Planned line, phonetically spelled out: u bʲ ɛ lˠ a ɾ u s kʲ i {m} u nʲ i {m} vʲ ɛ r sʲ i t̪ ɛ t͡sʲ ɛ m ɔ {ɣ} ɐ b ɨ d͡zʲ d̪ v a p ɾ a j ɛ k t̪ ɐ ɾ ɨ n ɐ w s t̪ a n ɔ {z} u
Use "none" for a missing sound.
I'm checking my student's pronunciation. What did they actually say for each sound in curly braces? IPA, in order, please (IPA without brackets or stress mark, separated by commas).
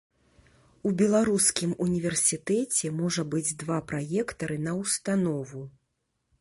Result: m, none, ʐ, v